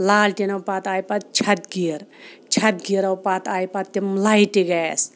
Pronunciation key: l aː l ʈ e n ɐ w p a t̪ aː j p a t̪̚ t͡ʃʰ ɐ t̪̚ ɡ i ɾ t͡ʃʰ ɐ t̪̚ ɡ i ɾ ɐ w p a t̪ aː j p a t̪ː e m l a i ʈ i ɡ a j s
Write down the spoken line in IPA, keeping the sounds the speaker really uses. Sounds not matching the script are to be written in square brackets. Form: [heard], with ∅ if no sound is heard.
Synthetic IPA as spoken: l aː l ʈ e n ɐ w p a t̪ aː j p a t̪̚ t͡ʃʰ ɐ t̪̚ ɡ i ɾ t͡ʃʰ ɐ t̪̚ ɡ i ɾ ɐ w p a t̪ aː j p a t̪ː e m l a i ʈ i ɡ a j s

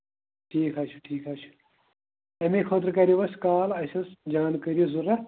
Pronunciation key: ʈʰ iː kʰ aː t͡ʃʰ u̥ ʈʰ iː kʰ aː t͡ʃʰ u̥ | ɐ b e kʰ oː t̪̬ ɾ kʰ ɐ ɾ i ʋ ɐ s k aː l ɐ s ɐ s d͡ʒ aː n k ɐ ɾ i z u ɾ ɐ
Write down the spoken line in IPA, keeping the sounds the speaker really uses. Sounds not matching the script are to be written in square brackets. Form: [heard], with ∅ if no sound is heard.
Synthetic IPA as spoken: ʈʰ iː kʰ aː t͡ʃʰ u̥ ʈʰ iː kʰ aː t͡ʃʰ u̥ | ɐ [m] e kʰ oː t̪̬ ɾ [k] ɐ ɾ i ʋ ɐ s k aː l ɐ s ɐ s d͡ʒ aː n k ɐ ɾ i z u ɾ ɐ

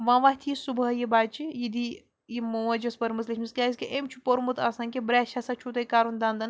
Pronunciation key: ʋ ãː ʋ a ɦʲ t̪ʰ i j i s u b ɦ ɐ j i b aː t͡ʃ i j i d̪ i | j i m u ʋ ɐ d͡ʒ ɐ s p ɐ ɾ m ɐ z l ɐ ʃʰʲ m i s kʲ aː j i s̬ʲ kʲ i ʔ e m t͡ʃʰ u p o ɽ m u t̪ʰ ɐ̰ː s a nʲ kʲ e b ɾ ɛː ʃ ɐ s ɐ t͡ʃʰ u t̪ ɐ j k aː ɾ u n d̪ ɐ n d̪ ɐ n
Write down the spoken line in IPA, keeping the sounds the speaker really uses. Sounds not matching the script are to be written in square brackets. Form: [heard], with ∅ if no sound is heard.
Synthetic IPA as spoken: ʋ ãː ʋ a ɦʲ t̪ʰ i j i s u b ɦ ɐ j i b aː t͡ʃ i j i d̪ i | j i m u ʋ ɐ d͡ʒ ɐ s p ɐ ɾ m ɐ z l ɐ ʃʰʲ m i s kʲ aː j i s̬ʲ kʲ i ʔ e m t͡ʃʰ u p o [ɾ] m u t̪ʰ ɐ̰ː s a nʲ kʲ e b ɾ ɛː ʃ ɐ s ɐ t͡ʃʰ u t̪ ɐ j k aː ɾ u n d̪ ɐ n d̪ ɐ n

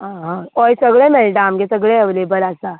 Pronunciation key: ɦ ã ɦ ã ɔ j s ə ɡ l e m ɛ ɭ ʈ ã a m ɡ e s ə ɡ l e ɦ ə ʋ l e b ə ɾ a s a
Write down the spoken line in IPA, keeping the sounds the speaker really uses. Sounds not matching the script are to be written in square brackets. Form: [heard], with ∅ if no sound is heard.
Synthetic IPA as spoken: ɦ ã ɦ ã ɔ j s ə ɡ [ɭ] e m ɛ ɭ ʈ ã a m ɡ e s ə ɡ [ɭ] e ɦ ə ʋ l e b ə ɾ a s a

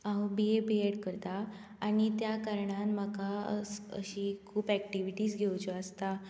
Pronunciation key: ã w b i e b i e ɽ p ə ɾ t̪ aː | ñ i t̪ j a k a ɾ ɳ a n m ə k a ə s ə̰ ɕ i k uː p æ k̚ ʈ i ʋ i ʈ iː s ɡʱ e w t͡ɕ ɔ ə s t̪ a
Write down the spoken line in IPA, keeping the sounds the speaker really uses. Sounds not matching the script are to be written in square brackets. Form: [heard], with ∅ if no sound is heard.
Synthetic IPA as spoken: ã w b i e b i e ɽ [k] ə ɾ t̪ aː | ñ i t̪ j a k a ɾ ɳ a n m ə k a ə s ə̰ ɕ i [kʰ] uː p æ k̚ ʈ i ʋ i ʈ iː s ɡʱ e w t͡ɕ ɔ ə s t̪ a

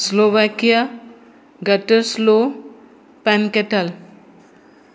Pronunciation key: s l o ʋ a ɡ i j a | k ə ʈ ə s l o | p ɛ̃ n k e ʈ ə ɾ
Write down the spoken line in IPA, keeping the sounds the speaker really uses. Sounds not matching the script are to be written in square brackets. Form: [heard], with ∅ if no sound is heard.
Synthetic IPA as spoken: s l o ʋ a [k] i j a | [ɡ] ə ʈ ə s l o | p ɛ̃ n k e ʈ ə [l]

